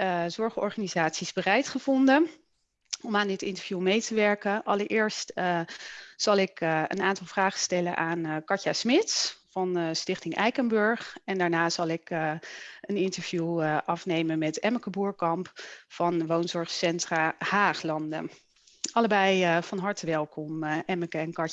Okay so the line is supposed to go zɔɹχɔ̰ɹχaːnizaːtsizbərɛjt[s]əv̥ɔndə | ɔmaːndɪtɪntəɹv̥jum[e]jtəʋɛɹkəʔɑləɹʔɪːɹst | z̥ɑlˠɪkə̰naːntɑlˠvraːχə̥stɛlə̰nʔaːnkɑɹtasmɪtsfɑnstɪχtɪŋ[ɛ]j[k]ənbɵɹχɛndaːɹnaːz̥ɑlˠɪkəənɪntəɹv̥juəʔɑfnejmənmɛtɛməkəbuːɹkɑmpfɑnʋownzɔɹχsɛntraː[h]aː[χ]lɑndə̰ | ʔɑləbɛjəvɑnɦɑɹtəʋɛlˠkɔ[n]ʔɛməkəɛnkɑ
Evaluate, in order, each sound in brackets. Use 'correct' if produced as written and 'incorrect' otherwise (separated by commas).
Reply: incorrect, correct, correct, correct, correct, correct, incorrect